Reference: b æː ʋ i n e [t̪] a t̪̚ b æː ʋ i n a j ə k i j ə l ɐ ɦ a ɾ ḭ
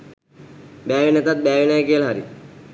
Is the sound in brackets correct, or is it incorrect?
correct